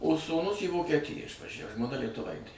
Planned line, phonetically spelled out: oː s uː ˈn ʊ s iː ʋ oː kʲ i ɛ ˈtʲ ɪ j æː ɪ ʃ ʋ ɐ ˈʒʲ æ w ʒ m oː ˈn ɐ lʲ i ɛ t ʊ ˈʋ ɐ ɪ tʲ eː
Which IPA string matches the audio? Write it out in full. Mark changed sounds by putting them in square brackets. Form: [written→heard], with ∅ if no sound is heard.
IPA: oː s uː ˈn ʊ s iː ʋ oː kʲ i ɛ ˈtʲ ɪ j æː ɪ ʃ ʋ ɐ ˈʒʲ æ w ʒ m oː ˈn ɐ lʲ i ɛ t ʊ ˈʋ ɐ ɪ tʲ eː